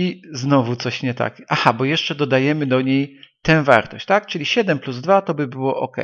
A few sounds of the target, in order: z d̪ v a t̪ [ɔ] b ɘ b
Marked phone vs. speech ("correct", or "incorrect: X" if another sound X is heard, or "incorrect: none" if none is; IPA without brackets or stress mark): correct